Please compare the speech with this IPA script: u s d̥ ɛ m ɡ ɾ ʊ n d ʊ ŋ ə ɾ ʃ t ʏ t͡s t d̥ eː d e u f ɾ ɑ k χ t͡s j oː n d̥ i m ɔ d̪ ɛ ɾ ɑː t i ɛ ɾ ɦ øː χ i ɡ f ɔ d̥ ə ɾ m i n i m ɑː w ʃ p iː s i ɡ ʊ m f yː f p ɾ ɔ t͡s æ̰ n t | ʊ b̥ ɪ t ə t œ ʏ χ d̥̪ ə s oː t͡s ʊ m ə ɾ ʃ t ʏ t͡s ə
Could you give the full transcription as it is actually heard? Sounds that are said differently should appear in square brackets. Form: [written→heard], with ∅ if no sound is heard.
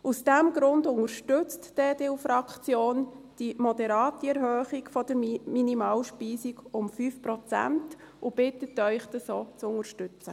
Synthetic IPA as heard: u s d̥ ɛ m ɡ ɾ ʊ n d ʊ ŋ ə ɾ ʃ t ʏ t͡s t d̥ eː d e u f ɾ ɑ k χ t͡s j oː n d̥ i m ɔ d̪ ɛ ɾ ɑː t i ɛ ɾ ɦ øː χ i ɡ f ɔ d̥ ə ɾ m i n i m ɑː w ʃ p iː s i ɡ ʊ m f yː f p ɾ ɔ t͡s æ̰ n t | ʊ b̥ ɪ t ə t œ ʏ χ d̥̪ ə s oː t͡s ʊ [m→ŋ] ə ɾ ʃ t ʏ t͡s ə